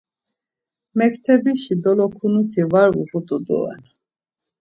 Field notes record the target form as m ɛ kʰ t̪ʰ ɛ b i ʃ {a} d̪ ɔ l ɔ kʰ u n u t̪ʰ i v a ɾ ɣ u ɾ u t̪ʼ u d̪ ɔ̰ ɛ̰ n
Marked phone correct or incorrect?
incorrect